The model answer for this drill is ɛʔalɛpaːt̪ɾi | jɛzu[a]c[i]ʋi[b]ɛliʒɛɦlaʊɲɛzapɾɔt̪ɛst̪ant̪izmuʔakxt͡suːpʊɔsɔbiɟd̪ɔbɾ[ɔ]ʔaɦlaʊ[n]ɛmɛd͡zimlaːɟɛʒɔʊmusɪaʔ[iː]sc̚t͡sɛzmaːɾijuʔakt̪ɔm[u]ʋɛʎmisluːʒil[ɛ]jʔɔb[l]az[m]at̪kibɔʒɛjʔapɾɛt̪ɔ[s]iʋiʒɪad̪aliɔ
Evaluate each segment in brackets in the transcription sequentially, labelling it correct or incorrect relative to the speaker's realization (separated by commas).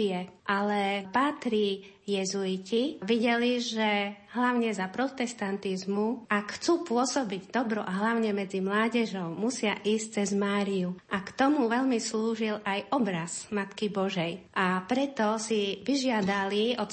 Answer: incorrect, correct, incorrect, correct, incorrect, correct, correct, incorrect, incorrect, correct, correct